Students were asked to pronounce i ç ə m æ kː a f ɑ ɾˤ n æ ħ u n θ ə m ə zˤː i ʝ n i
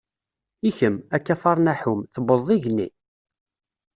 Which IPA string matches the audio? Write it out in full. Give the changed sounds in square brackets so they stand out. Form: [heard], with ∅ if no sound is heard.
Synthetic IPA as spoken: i ç ə m æ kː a f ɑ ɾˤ n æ ħ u [m] θ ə [b] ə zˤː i ʝ n i